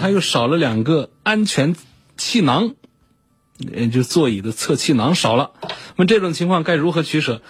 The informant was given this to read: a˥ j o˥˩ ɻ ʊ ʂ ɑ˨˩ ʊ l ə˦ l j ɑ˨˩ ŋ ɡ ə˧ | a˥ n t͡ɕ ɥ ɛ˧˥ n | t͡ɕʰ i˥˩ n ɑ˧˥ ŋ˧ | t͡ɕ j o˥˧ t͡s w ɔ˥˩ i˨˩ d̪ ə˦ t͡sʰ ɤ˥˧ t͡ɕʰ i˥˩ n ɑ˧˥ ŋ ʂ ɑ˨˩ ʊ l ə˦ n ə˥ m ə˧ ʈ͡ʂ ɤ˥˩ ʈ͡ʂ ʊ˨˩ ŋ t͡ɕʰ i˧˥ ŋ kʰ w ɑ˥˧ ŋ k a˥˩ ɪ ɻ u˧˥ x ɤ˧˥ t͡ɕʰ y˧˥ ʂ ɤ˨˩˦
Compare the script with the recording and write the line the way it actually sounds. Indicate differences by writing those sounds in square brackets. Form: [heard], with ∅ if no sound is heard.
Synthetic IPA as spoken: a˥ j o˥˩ [∅] ʊ ʂ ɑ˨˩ ʊ l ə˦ l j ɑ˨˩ ŋ ɡ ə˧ | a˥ n [t͡ɕʰ] ɥ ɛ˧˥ n | t͡ɕʰ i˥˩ n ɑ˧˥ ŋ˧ | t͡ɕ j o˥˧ t͡s w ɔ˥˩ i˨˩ d̪ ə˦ t͡sʰ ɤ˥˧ t͡ɕʰ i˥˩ n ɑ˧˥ ŋ ʂ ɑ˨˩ ʊ l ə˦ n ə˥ m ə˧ ʈ͡ʂ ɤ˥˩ ʈ͡ʂ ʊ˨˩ ŋ t͡ɕʰ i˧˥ ŋ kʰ w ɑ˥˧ ŋ k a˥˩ ɪ ɻ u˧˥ x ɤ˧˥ t͡ɕʰ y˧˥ ʂ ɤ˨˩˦